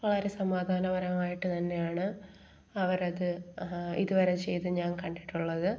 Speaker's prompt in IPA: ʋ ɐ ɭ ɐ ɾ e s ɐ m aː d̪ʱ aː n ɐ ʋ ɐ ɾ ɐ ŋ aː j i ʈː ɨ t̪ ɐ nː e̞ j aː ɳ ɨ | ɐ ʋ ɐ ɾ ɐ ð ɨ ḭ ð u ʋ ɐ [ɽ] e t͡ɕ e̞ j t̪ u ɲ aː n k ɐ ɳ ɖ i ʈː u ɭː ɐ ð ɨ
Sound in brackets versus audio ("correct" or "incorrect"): incorrect